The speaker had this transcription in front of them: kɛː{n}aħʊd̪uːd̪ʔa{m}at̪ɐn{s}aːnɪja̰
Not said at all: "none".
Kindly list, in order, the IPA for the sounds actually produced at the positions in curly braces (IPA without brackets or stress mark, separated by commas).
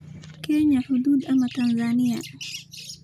ɲ, m, z